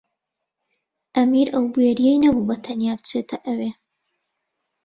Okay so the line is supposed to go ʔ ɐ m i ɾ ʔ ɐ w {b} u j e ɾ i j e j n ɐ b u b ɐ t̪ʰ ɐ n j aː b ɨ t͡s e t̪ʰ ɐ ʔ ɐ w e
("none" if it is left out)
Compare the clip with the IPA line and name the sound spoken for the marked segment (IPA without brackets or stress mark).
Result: b